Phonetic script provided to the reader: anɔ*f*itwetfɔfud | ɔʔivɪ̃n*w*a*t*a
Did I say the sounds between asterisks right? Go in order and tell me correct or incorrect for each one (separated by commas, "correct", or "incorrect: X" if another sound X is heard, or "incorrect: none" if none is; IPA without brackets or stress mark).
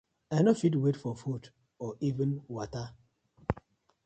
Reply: correct, correct, correct